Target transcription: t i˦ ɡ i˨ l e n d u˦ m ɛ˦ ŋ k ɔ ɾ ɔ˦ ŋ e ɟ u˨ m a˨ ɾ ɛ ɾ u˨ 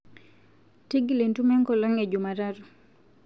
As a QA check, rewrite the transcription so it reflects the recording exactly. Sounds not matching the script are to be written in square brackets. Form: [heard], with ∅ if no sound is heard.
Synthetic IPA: t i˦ ɡ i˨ l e n [t] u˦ m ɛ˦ ŋ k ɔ [l] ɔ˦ ŋ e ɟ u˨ m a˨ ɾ [a] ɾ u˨

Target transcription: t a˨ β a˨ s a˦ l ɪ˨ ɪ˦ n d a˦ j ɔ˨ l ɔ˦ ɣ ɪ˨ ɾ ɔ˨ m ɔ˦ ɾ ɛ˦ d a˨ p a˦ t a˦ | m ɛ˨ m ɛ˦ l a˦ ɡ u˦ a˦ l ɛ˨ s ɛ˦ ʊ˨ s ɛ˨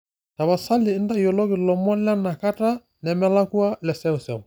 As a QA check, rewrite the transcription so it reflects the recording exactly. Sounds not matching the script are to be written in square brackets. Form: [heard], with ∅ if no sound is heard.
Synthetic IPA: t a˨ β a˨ s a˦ l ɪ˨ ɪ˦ n d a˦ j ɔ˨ l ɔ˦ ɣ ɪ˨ [l] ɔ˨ m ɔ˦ [l] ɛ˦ [n] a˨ [k] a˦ t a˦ | [n] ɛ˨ m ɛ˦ l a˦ [k] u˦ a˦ l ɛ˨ s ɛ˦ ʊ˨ s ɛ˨

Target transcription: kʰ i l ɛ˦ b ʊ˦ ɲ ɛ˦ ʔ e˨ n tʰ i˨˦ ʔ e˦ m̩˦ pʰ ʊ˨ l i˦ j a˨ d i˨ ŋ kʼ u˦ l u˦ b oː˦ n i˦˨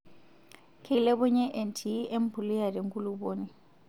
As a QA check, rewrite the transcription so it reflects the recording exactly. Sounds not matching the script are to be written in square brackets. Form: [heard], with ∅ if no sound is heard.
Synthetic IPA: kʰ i l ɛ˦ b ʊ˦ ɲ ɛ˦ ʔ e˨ n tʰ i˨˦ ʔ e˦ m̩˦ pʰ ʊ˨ l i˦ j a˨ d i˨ ŋ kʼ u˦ l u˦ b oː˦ n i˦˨

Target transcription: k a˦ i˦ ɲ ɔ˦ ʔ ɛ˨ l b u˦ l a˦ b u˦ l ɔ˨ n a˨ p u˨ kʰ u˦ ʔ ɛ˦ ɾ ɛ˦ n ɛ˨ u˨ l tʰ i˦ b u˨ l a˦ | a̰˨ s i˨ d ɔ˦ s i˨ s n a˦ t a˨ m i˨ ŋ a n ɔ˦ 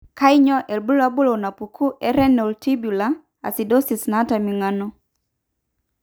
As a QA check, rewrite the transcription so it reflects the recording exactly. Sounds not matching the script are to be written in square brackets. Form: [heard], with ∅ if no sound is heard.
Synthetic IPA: k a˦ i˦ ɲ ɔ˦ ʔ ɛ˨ l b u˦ l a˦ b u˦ l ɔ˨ n a˨ p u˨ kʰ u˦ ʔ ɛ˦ ɾ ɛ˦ n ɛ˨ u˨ l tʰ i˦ b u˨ l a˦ | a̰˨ s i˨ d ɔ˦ s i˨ s n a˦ t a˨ m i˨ ŋ a n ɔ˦

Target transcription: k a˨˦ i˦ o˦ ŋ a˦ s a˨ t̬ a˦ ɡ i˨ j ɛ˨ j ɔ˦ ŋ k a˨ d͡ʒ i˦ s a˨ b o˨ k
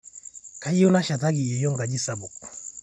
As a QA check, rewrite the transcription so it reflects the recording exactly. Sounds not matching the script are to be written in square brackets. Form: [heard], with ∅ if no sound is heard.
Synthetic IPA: k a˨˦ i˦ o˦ [n] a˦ [ʃ] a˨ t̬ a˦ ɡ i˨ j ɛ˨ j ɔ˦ ŋ [ɡ] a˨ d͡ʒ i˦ s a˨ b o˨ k

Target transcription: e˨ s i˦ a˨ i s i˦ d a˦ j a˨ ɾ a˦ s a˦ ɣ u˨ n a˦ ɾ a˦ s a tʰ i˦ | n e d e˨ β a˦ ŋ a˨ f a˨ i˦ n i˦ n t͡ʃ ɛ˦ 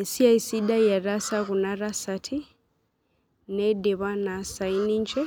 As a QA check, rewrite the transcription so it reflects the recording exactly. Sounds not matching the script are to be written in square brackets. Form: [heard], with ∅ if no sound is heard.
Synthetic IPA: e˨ s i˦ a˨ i s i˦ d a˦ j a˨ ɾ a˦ s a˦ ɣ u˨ n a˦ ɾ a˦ s a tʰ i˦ | n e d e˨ β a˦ [n] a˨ [s] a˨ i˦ n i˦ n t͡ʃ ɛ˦

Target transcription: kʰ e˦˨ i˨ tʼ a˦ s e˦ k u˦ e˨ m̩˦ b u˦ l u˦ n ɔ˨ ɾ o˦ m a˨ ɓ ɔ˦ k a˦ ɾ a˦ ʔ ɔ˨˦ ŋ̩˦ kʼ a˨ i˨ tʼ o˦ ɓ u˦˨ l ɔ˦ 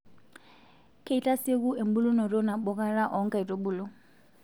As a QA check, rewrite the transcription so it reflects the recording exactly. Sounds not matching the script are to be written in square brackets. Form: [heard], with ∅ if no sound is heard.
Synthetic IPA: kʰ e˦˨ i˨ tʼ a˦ s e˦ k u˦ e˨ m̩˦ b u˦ l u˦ n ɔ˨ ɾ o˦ [n] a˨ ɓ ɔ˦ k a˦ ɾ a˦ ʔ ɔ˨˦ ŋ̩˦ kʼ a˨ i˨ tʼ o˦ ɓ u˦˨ l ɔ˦

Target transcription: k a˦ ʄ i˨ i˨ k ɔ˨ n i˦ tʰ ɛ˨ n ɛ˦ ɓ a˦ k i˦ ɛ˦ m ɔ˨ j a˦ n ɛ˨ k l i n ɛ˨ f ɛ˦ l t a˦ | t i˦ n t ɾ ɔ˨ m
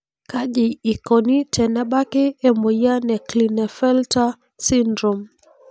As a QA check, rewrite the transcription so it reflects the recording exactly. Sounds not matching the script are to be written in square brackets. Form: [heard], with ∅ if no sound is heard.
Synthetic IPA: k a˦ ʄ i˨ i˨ k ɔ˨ n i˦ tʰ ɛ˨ n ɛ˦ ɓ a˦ k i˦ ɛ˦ m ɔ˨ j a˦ n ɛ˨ k l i n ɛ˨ f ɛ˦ l t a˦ | [s] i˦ n [d] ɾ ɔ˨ m

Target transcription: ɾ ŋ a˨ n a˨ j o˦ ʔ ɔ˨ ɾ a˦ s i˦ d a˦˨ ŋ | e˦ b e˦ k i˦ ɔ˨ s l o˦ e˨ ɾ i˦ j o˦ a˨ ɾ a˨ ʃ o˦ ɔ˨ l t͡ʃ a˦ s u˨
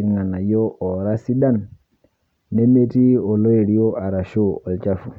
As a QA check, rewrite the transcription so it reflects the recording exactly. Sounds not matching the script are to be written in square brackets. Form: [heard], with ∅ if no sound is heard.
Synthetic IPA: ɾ ŋ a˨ n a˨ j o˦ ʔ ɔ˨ ɾ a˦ s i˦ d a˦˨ [n] | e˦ [m] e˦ [t] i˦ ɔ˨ [∅] l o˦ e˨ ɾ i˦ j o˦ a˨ ɾ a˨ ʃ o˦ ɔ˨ l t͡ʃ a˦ [f] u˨

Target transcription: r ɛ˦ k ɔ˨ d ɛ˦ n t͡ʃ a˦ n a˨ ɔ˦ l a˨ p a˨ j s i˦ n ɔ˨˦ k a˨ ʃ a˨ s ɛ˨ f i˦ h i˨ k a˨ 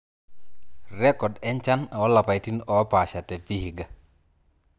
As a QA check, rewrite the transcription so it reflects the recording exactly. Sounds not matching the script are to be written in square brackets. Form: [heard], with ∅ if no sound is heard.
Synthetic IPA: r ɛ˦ k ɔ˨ d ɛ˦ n t͡ʃ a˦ n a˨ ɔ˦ l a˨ p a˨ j [t] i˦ n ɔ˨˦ [p] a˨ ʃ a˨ [t] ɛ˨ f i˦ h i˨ [ɡ] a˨

